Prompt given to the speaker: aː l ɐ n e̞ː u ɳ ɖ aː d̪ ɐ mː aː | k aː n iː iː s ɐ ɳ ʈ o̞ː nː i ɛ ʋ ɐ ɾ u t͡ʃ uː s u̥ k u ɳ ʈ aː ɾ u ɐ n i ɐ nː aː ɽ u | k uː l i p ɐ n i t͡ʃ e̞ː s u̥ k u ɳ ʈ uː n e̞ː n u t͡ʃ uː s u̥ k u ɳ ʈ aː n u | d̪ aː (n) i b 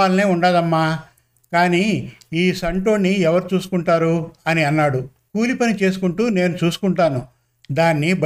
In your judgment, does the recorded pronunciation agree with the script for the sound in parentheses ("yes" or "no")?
no